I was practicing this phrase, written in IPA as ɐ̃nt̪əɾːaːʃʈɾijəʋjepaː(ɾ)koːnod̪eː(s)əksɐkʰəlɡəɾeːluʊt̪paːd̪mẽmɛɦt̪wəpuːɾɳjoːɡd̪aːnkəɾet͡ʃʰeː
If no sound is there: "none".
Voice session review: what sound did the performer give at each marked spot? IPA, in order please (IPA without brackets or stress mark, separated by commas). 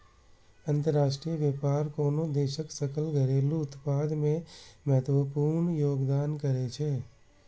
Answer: ɾ, ʃ